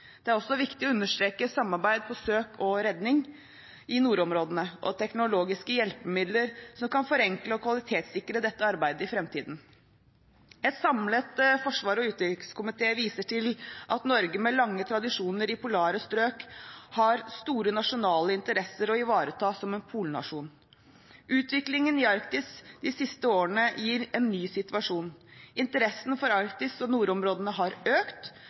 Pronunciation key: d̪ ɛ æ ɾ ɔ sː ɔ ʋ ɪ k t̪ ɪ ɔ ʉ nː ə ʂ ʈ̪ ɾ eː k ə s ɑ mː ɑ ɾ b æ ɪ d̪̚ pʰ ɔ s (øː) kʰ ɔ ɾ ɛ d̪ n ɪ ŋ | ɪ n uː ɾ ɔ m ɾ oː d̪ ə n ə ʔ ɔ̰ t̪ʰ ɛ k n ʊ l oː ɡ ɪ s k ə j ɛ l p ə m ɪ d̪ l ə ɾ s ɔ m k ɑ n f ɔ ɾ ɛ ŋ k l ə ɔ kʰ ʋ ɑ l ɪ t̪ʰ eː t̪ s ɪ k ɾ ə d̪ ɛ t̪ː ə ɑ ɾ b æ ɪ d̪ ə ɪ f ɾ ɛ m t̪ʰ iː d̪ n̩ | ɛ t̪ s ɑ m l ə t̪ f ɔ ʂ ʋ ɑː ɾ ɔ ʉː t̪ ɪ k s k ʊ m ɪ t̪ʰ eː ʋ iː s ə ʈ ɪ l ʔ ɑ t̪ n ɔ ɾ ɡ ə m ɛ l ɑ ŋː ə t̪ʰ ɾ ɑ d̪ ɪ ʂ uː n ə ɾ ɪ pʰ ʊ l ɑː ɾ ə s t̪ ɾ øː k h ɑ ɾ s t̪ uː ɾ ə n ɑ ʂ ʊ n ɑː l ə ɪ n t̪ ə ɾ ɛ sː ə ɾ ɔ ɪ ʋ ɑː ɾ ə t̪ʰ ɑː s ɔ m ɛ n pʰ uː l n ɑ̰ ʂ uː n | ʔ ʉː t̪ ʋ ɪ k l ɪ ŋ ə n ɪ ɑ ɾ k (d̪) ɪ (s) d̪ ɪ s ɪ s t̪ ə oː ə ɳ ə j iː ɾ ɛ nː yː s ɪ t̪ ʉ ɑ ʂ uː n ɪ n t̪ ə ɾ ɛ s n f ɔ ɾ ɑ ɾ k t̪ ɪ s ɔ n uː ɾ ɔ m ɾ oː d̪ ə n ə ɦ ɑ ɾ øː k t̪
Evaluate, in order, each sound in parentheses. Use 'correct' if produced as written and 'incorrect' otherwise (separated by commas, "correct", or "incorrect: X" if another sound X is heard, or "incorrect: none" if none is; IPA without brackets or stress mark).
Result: correct, incorrect: t̪, correct